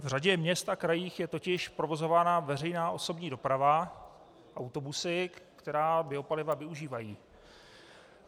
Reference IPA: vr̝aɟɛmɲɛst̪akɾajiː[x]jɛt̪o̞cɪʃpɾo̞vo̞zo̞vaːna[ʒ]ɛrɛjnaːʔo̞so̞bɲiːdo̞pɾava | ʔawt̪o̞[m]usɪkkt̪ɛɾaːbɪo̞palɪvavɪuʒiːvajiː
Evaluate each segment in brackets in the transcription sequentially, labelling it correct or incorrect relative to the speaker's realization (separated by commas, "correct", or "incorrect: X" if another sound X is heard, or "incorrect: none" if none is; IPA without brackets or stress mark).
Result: correct, incorrect: v, incorrect: b